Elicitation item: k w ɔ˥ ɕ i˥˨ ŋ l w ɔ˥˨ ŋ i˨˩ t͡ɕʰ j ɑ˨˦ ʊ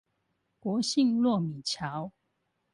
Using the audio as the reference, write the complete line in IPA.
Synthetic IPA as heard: k w ɔ˨˦ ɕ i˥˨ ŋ l w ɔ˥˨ m i˨˩ t͡ɕʰ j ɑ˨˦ ʊ